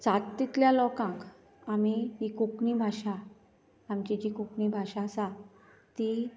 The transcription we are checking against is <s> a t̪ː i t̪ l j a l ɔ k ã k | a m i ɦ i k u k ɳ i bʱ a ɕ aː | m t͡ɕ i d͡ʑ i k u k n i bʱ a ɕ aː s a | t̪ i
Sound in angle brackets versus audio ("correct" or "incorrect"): incorrect